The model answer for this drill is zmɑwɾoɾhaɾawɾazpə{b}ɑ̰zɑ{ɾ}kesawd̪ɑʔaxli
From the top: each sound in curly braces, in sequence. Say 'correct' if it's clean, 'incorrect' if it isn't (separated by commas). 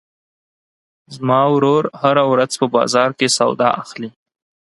correct, correct